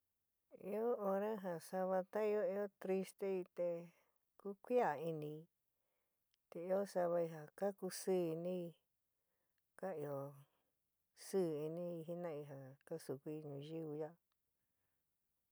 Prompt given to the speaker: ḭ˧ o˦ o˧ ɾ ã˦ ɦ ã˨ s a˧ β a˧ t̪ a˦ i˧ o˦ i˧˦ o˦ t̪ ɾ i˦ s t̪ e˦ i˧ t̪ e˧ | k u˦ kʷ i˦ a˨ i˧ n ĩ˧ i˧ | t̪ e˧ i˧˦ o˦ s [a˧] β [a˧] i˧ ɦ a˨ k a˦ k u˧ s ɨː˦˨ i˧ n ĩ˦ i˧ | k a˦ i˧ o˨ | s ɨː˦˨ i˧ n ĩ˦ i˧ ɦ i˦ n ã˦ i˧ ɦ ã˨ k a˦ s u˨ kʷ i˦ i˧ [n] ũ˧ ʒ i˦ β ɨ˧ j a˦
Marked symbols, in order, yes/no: yes, yes, no

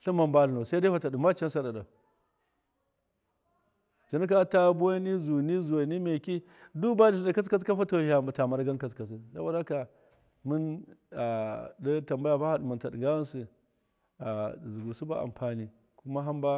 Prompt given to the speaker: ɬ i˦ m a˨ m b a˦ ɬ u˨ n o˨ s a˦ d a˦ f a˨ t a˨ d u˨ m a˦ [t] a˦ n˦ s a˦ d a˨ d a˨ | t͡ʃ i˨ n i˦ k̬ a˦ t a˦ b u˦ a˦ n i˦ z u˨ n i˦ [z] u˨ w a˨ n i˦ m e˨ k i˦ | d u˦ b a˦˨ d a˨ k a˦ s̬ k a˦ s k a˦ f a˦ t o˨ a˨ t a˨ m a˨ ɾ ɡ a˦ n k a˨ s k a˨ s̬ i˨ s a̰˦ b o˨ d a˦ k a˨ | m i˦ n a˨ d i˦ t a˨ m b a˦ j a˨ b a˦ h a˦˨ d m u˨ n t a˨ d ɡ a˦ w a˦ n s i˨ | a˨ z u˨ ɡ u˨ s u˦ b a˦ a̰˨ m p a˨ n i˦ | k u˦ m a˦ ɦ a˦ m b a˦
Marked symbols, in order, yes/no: no, yes

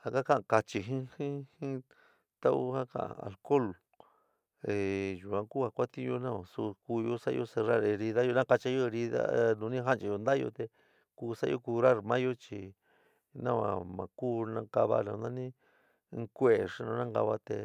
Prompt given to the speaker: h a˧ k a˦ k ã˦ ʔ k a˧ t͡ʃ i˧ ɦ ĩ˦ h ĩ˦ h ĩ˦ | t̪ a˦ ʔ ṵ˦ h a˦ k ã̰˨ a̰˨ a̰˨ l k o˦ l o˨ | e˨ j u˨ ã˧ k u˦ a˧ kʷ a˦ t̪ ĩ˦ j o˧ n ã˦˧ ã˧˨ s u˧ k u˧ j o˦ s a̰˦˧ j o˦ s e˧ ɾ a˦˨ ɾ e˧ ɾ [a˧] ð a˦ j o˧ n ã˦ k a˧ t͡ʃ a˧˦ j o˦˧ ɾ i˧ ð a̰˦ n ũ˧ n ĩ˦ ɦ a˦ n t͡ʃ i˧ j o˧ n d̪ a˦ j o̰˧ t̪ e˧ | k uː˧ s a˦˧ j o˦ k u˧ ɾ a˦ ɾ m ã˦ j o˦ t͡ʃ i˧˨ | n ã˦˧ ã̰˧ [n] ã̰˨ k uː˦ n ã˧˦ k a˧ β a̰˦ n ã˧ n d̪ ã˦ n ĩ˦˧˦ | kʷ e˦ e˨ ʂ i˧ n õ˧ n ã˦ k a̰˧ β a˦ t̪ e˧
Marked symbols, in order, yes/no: no, no

